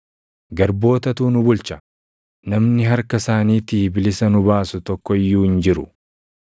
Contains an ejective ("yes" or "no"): no